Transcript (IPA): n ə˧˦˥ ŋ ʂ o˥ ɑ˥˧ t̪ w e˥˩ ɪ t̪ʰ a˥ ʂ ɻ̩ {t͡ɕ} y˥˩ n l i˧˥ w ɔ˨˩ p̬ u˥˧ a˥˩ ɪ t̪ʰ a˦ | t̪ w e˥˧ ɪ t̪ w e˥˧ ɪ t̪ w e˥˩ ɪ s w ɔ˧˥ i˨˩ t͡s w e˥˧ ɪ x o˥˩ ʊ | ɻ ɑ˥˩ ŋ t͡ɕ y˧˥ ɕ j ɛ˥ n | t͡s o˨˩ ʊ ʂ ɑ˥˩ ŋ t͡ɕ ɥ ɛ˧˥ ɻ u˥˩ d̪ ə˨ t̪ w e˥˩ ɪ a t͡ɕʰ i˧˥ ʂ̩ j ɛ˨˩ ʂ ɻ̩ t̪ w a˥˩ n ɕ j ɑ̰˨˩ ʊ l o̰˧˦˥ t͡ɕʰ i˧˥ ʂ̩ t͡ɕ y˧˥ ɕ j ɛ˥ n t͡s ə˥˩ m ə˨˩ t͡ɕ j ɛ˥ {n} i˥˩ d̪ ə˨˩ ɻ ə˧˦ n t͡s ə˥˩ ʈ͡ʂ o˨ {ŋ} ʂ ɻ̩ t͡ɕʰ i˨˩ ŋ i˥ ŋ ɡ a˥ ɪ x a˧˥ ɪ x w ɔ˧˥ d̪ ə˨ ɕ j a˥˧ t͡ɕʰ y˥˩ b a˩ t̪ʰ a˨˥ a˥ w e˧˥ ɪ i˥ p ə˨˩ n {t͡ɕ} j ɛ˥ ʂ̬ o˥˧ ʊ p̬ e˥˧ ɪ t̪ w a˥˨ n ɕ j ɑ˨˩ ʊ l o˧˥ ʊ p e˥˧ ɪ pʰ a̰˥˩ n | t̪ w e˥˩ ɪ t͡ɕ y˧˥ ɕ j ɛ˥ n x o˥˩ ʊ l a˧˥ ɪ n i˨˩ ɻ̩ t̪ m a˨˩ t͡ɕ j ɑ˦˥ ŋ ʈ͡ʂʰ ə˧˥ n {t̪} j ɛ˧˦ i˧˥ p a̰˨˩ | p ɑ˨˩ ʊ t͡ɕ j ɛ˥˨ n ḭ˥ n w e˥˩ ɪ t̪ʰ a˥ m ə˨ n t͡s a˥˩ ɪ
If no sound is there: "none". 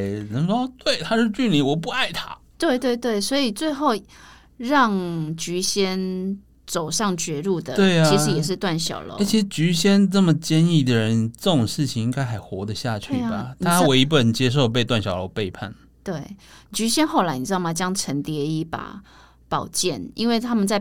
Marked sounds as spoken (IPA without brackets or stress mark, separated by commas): t͡ɕ, n, ŋ, t͡ɕ, t̪